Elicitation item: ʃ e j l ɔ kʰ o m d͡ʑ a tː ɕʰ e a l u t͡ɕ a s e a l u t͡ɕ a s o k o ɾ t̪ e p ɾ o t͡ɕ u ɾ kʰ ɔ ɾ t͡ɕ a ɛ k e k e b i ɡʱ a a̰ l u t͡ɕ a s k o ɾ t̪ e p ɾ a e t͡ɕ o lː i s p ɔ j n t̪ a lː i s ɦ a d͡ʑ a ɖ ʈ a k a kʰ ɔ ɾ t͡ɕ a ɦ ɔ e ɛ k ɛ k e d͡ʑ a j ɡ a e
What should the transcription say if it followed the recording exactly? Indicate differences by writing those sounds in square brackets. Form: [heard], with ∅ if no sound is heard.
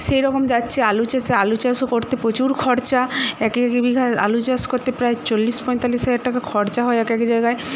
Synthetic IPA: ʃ e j [ɾ] ɔ [k] o m d͡ʑ a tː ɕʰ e a l u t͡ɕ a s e a l u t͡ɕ a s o k o ɾ t̪ e p ɾ o t͡ɕ u ɾ kʰ ɔ ɾ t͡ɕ a ɛ k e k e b i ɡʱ a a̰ l u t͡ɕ a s k o ɾ t̪ e p ɾ a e t͡ɕ o lː i s p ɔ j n t̪ a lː i s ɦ a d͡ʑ a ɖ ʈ a k a kʰ ɔ ɾ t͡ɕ a ɦ ɔ e ɛ k ɛ k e d͡ʑ a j ɡ a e